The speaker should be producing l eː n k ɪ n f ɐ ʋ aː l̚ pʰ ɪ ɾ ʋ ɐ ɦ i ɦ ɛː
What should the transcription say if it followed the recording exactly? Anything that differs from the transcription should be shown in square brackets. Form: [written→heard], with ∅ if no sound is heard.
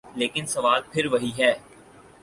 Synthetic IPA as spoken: l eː [n→∅] k ɪ n [f→s] ɐ ʋ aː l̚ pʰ ɪ ɾ ʋ ɐ ɦ i ɦ ɛː